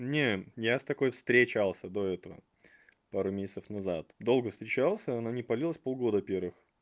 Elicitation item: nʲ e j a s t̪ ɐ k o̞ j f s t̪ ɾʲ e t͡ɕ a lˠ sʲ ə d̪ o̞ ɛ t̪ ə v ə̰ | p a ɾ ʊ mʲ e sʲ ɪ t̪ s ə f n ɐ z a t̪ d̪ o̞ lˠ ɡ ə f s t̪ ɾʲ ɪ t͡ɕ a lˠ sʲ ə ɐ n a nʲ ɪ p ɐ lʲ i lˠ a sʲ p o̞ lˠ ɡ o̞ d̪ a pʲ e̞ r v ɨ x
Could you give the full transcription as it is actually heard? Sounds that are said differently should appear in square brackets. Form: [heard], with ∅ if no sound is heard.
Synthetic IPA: nʲ e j a s t̪ ɐ k o̞ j f s t̪ ɾʲ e t͡ɕ a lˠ sʲ ə d̪ o̞ ɛ t̪ ə v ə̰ | p a ɾ ʊ mʲ e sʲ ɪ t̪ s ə f n ɐ z a t̪ d̪ o̞ lˠ ɡ ə f s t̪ ɾʲ ɪ t͡ɕ a lˠ sʲ ə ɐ n a nʲ ɪ p ɐ lʲ i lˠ [ə] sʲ p o̞ lˠ ɡ o̞ d̪ [ə] pʲ e̞ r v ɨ x